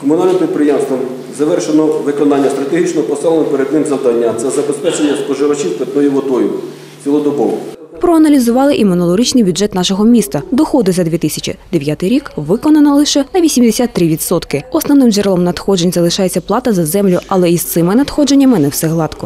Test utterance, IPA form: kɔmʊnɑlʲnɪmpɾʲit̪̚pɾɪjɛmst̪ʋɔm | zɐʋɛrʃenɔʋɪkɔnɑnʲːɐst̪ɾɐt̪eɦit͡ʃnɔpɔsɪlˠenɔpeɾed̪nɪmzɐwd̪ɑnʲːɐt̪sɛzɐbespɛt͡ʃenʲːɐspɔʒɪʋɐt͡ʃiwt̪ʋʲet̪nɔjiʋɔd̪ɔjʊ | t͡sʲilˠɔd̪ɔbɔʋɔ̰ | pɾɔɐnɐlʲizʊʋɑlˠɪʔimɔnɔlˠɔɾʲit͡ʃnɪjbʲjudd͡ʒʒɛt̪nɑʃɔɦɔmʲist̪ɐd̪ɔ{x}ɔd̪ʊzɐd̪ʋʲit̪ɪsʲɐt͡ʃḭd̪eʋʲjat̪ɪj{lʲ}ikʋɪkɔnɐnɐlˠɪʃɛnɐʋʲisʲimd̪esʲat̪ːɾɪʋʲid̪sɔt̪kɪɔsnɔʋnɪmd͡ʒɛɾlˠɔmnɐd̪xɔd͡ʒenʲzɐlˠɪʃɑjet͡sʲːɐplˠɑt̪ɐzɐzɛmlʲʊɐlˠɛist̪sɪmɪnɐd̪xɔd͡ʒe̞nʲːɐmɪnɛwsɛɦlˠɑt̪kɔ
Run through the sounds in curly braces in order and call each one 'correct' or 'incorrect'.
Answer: correct, incorrect

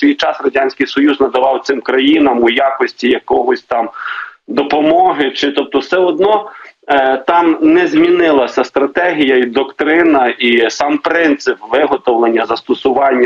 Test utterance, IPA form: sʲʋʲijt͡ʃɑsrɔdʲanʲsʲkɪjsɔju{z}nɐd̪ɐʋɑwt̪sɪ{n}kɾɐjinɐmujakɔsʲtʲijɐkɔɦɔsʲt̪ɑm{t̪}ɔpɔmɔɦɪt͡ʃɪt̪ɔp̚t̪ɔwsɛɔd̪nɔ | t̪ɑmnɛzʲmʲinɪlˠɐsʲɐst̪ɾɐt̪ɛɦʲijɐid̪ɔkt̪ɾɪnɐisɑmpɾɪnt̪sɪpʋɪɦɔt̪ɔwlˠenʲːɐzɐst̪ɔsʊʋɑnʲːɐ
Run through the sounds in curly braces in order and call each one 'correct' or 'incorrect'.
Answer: correct, incorrect, incorrect

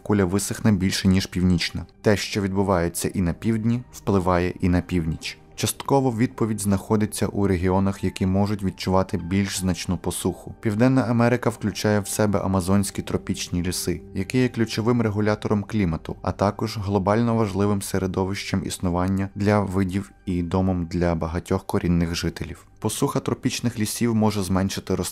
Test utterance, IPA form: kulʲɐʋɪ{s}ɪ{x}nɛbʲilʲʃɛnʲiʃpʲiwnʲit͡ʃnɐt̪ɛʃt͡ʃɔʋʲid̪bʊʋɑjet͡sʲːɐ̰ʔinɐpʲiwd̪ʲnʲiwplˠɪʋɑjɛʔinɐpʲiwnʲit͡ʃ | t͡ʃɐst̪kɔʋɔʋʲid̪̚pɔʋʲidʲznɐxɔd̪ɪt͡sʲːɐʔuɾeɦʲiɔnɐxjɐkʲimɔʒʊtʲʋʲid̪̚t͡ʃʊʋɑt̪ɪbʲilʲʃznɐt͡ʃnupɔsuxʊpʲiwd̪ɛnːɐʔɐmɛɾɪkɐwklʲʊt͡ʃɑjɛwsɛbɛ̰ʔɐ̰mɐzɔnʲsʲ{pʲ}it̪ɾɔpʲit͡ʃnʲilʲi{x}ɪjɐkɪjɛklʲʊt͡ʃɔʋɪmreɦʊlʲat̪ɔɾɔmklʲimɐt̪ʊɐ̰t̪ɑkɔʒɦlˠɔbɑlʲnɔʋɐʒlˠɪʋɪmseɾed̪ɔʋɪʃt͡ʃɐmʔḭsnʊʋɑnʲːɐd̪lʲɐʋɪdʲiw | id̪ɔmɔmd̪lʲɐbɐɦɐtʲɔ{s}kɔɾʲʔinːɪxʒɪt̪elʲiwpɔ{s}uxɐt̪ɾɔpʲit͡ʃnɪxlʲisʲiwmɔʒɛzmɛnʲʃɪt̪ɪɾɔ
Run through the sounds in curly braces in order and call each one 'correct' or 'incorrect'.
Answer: correct, correct, incorrect, incorrect, incorrect, correct

